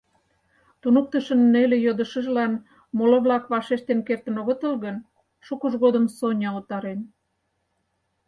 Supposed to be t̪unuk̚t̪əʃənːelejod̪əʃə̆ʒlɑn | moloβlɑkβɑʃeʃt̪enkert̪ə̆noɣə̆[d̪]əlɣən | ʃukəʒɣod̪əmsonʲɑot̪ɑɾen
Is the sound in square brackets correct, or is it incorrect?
incorrect